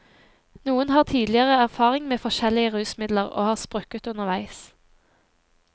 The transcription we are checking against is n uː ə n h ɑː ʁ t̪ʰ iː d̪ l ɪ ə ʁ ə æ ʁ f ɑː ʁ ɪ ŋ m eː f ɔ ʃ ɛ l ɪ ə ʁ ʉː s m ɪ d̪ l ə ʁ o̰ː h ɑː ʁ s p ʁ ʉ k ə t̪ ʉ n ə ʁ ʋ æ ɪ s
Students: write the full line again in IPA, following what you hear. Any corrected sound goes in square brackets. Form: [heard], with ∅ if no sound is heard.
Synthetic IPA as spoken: n uː ə n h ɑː ʁ t̪ʰ iː d̪ l ɪ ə ʁ ə æ ʁ f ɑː ʁ ɪ ŋ m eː f ɔ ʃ ɛ l ɪ ə ʁ ʉː s m ɪ d̪ l ə ʁ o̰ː h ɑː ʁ s p ʁ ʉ k ə t̪ ʉ n ə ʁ ʋ æ ɪ s